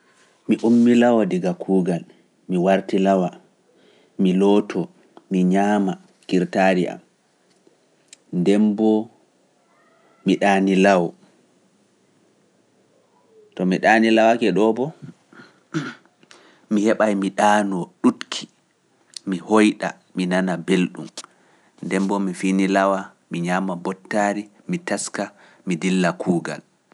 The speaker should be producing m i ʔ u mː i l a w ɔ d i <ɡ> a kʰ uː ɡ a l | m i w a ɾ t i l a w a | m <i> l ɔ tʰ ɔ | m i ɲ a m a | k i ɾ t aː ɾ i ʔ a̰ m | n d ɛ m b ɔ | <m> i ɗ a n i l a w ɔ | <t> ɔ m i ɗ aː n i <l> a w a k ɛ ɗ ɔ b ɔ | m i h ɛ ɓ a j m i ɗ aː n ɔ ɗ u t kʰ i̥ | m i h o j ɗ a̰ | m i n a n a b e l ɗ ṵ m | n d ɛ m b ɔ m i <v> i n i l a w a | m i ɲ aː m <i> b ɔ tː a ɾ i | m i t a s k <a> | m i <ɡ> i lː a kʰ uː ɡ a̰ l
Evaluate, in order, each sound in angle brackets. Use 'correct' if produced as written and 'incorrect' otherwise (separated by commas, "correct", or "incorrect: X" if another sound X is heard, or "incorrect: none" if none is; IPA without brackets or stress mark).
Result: correct, correct, correct, correct, correct, incorrect: f, incorrect: a, correct, incorrect: d